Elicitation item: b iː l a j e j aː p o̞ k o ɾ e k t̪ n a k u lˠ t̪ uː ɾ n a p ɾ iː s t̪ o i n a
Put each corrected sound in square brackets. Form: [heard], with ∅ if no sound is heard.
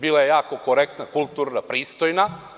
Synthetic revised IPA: b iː l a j e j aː [k] o̞ k o ɾ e k t̪ n a k u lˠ t̪ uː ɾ n a p ɾ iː s t̪ o [j] n a